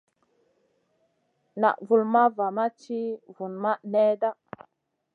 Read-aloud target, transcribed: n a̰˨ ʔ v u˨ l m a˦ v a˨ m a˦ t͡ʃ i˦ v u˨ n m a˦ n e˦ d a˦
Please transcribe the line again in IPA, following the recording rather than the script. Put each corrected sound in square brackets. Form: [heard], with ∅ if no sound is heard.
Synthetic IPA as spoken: n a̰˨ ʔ v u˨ l m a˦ v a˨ m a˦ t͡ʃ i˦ v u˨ n m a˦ n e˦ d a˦